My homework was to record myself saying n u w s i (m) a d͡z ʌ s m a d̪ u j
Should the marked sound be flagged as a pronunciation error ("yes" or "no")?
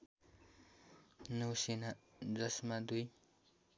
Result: yes